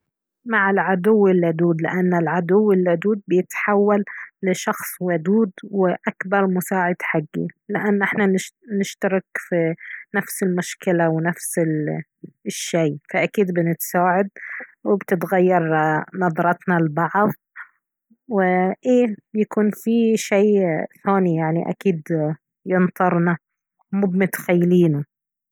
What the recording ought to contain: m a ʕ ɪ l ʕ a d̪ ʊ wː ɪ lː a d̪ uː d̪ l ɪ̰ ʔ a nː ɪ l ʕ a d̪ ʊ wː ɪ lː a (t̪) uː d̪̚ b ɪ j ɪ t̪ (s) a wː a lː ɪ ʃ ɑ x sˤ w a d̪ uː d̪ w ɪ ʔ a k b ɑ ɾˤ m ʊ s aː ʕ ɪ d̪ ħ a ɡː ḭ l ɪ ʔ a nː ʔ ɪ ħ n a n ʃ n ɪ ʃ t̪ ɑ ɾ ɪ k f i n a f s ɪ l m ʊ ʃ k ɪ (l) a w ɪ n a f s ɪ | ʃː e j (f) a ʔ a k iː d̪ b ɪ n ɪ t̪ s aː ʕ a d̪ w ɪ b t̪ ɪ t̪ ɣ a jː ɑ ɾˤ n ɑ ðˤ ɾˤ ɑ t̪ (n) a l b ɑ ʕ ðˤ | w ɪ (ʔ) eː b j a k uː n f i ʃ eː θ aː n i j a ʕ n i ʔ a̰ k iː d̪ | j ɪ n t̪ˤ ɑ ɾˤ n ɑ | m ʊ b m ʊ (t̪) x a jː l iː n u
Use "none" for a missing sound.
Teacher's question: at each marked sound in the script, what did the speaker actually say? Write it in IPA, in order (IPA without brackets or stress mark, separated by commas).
d̪, ħ, l, f, n, ʔ, t̪